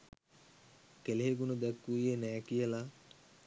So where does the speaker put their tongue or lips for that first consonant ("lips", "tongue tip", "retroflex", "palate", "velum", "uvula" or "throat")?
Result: velum